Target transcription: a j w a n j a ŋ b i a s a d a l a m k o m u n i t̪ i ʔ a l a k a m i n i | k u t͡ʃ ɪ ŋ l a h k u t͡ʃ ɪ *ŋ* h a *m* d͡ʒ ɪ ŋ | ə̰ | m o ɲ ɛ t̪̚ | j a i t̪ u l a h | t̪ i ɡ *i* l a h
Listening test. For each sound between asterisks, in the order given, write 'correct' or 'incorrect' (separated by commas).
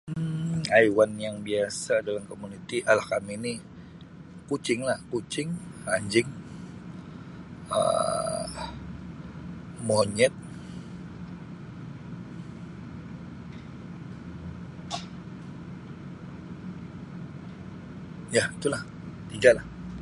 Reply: correct, incorrect, incorrect